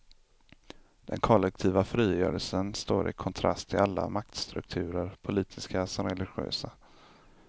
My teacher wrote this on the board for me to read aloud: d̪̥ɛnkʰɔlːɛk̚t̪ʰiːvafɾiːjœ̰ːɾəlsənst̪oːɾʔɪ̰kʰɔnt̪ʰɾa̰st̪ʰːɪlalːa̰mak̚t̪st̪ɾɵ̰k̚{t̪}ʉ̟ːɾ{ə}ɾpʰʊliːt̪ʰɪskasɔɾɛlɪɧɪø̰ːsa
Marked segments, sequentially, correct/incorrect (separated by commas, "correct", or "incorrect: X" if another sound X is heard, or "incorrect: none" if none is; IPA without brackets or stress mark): incorrect: t̪ʰ, correct